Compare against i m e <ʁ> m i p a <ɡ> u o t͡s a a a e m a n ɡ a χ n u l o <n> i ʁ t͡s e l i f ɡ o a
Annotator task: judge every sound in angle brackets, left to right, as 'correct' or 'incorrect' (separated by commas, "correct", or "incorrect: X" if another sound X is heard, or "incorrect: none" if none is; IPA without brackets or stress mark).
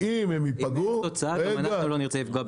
incorrect: none, correct, correct